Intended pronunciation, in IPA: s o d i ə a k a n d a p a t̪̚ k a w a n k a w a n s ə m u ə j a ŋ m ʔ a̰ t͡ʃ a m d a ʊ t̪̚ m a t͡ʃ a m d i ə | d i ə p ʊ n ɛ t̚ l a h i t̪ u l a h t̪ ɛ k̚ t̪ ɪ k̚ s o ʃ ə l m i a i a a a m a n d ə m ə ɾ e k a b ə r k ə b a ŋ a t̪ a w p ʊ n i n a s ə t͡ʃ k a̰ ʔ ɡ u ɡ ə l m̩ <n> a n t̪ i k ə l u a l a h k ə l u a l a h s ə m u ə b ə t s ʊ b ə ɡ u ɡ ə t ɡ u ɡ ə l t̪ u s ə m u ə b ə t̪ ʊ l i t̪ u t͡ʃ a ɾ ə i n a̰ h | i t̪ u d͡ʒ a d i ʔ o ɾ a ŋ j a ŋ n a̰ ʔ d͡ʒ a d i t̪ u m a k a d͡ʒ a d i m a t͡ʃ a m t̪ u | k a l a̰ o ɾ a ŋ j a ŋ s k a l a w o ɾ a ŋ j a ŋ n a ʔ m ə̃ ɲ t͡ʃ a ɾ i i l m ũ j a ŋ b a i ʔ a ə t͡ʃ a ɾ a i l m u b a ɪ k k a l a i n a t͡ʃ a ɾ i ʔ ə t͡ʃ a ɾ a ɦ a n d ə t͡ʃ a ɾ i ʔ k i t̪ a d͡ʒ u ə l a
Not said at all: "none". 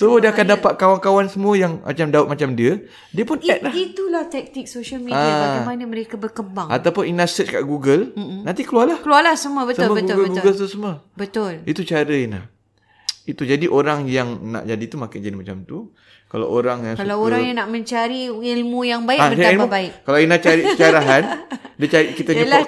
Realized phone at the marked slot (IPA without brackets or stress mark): n